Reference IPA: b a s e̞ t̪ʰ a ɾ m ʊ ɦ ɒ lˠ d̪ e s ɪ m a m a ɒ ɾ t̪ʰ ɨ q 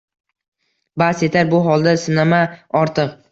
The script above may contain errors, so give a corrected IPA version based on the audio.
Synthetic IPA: b a s e̞ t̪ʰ a ɾ b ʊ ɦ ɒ lˠ d̪ a s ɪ n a m a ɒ ɾ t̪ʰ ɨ q